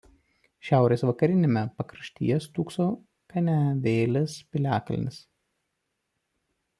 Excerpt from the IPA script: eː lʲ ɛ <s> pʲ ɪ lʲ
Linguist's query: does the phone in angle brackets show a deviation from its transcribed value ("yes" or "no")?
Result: no